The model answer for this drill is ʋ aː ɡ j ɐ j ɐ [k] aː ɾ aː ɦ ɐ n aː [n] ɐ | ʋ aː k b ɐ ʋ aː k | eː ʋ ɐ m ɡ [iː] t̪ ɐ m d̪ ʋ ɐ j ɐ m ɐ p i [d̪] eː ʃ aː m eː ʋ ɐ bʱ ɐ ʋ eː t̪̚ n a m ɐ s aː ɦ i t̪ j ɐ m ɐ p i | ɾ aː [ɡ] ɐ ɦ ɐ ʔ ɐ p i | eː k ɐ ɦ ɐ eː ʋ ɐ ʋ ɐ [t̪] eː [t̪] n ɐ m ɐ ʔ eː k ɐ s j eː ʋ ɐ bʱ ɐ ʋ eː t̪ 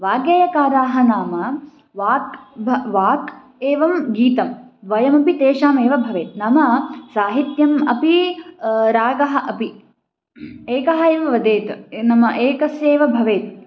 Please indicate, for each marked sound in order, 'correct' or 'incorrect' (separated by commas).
correct, incorrect, correct, incorrect, correct, incorrect, correct